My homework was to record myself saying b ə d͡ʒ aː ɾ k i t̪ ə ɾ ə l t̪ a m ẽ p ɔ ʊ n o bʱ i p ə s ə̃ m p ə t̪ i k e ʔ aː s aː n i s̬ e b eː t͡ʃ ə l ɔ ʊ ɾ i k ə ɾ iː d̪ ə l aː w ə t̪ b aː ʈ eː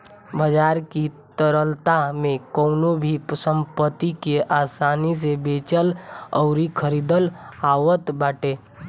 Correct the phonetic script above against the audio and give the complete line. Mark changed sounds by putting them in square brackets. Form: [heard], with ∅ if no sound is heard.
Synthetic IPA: b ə d͡ʒ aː ɾ k i t̪ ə ɾ ə l t̪ a m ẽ [k] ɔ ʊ n o bʱ i p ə s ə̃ m p ə t̪ i k e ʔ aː s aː n i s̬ e b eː t͡ʃ ə l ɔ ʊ ɾ i [kʰ] ə ɾ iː d̪ ə l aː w ə t̪ b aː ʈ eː